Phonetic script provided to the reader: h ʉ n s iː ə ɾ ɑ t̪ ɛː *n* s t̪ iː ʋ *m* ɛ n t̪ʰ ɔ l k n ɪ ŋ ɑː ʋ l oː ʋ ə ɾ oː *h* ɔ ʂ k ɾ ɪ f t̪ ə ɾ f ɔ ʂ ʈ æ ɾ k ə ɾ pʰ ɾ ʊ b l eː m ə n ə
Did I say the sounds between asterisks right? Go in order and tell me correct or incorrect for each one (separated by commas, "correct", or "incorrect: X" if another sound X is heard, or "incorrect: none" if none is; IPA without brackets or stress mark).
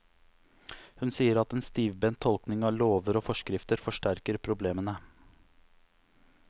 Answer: correct, incorrect: b, incorrect: f